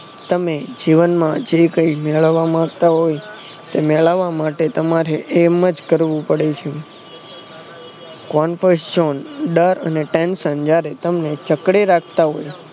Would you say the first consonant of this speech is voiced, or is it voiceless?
voiceless